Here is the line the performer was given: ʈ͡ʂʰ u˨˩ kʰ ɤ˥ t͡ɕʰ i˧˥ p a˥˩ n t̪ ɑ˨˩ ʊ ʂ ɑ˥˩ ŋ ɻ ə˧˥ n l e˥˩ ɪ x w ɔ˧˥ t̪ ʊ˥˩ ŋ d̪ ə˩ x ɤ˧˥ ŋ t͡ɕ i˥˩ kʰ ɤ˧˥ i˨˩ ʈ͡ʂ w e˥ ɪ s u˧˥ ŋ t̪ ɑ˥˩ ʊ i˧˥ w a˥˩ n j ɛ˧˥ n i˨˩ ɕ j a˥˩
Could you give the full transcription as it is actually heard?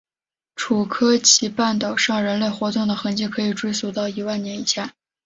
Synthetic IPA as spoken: ʈ͡ʂʰ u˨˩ kʰ ɤ˥ t͡ɕʰ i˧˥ p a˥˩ n t̪ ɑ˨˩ ʊ ʂ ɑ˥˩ ŋ ɻ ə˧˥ n l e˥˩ ɪ x w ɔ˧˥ t̪ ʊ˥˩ ŋ d̪ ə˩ x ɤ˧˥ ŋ t͡ɕ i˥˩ kʰ ɤ˧˥ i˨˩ ʈ͡ʂ w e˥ ɪ s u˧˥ t̪ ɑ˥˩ ʊ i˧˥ w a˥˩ n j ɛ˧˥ n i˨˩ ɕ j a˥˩

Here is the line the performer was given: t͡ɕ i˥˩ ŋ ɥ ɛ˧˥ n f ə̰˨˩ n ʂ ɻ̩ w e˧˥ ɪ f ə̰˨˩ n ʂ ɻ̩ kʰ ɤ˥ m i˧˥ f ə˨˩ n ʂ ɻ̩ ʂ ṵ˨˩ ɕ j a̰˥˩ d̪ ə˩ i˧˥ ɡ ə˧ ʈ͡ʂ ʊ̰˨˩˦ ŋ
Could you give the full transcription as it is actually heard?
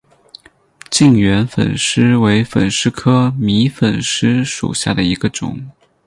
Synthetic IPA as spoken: t͡ɕ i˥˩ ŋ ɥ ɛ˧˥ n f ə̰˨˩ n ʂ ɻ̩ w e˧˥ ɪ f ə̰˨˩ n ʂ ɻ̩ kʰ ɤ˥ m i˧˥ f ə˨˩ n ʂ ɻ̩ ʂ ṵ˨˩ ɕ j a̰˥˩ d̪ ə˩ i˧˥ ɡ ə˧ ʈ͡ʂ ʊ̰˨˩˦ ŋ

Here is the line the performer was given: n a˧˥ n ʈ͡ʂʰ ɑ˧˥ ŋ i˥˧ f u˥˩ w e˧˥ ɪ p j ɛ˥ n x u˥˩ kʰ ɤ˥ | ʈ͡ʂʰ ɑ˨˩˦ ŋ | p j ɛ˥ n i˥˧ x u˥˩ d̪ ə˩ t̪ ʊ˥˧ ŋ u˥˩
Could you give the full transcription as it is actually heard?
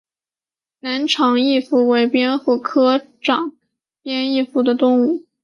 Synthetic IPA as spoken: n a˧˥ n ʈ͡ʂʰ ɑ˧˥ ŋ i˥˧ f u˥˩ w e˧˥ ɪ p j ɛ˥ n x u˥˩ kʰ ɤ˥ | ʈ͡ʂ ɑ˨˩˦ ŋ | p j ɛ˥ n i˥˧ f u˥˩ d̪ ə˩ t̪ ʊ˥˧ ŋ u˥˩

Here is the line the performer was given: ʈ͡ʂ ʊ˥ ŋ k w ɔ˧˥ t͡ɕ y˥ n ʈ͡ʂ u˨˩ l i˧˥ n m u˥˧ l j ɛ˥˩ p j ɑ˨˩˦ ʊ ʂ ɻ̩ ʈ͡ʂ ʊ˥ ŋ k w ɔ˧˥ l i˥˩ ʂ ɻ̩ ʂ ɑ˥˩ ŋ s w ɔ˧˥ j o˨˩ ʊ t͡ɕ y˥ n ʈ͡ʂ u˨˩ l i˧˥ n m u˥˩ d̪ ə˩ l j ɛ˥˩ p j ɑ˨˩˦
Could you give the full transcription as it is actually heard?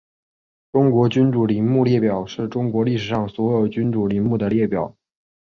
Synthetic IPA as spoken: ʈ͡ʂ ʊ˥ ŋ k w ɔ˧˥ t͡ɕ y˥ n ʈ͡ʂ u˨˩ l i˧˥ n m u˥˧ l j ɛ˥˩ p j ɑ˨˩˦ ʊ ʂ ɻ̩ ʈ͡ʂ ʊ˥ ŋ k w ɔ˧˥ l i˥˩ ʂ ɻ̩ ʂ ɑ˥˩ ŋ s w ɔ˧˥ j o˨˩ ʊ t͡ɕ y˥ n ʈ͡ʂ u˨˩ l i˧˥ n m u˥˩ d̪ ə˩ l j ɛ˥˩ p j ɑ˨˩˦

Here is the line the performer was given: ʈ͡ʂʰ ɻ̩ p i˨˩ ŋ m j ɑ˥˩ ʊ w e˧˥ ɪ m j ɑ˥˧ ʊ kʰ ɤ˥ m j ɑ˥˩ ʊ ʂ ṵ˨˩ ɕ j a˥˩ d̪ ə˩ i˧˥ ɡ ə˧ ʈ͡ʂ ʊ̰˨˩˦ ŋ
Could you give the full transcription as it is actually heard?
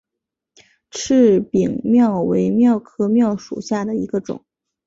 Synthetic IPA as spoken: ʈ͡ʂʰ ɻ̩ p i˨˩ ŋ m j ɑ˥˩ ʊ w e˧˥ ɪ m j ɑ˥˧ ʊ kʰ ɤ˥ m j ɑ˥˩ ʊ ʂ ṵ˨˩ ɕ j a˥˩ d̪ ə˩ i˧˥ ɡ ə˧ ʈ͡ʂ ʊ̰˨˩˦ ŋ

